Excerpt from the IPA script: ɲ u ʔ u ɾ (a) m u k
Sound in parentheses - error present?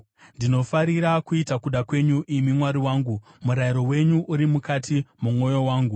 yes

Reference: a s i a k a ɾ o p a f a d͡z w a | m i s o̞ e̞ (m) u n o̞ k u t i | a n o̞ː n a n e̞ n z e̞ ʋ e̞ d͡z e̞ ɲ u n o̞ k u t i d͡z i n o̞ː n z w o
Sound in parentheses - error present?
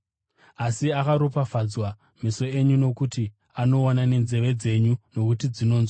yes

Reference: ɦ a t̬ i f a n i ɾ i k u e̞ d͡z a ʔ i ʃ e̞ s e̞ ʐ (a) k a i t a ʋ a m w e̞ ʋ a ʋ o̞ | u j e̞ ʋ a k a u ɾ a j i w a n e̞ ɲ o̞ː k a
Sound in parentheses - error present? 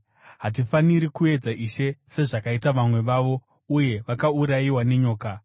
no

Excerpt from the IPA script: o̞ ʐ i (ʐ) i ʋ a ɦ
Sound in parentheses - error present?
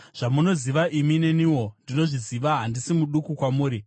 yes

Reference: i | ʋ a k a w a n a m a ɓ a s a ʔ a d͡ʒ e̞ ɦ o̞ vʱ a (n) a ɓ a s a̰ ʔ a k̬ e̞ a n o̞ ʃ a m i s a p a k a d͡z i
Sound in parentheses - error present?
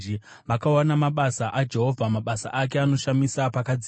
yes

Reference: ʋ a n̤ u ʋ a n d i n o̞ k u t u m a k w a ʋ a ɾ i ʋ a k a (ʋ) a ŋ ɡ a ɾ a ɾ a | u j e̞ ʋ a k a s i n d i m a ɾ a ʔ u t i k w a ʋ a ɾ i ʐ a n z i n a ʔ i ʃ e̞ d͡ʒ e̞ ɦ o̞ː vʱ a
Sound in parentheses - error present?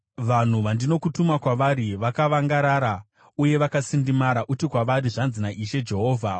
no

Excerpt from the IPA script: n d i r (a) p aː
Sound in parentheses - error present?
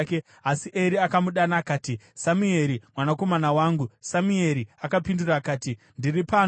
yes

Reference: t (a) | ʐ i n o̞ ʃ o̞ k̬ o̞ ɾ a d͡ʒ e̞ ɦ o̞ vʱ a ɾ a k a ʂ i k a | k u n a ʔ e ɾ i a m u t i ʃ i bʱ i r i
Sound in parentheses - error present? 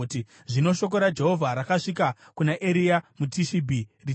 yes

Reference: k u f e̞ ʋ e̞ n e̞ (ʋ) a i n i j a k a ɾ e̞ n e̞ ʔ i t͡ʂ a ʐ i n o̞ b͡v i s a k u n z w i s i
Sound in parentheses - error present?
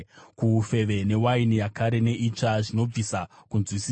yes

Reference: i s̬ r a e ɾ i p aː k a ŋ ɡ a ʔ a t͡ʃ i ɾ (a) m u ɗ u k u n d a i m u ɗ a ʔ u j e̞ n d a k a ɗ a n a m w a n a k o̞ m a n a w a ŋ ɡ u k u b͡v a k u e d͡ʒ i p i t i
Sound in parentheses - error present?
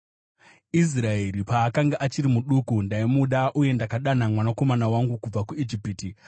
yes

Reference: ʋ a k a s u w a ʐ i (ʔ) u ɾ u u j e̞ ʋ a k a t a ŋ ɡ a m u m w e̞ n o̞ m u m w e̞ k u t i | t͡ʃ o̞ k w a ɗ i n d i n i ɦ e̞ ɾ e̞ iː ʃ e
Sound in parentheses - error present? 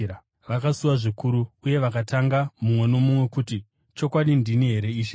yes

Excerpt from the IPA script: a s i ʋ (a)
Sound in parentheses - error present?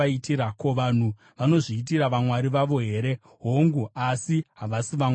no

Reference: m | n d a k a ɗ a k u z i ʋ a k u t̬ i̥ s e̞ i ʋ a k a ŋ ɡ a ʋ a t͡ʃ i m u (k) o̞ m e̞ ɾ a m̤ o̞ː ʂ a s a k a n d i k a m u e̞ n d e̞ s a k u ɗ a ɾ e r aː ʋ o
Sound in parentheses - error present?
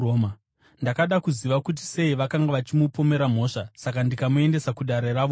yes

